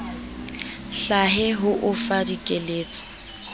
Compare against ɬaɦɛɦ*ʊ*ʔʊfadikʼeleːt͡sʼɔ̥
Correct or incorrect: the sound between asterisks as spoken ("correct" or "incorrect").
correct